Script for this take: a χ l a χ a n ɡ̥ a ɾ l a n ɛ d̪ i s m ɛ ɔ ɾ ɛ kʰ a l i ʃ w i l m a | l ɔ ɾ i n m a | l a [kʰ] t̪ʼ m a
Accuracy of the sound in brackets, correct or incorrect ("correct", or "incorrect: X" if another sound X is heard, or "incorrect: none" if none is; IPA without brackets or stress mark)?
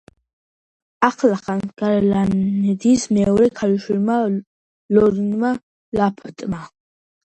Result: incorrect: pʰ